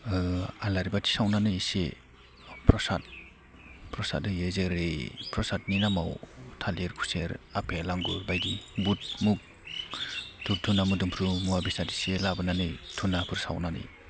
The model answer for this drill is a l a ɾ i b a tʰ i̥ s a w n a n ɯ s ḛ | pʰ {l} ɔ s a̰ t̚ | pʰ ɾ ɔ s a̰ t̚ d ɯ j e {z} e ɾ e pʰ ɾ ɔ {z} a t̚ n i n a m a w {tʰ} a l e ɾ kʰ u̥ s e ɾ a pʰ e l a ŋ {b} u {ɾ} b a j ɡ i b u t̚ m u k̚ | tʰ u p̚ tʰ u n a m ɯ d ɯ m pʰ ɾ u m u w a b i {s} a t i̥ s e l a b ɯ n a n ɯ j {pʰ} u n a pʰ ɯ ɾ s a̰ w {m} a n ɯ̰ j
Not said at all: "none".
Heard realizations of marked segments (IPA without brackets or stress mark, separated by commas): ɾ, z, s, tʰ, ɡ, ɾ, s, tʰ, n